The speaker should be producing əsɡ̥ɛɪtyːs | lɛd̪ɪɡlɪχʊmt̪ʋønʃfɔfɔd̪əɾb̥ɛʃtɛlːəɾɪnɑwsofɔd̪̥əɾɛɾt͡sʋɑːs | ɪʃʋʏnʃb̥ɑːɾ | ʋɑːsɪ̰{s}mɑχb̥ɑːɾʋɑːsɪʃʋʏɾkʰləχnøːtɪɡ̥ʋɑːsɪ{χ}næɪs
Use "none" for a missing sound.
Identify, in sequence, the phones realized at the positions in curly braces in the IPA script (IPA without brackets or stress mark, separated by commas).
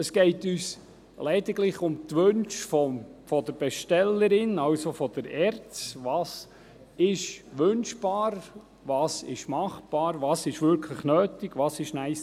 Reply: ʃ, ʃ